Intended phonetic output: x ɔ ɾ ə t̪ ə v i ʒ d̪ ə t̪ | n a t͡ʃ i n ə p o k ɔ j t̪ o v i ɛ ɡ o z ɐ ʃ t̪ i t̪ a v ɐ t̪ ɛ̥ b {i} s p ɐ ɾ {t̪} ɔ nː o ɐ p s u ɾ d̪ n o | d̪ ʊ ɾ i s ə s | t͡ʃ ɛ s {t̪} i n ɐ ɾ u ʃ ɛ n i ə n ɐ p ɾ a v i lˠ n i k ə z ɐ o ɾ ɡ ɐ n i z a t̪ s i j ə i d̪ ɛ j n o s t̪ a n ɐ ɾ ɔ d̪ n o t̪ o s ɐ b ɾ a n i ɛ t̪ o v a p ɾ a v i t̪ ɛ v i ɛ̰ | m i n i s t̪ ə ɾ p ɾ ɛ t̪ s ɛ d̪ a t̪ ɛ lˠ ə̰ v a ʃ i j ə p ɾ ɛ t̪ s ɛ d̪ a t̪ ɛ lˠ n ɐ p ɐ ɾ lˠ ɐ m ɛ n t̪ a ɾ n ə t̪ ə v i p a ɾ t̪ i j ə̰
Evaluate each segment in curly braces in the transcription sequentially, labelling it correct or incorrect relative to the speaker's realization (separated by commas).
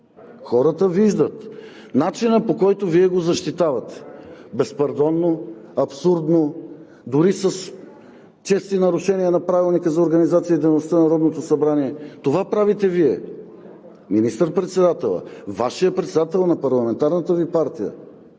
incorrect, incorrect, correct